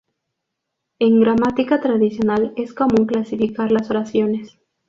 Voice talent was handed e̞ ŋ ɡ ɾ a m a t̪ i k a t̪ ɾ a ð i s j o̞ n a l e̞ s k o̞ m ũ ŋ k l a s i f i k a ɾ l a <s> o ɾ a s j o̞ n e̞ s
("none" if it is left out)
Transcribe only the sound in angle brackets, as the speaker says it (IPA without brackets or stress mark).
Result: s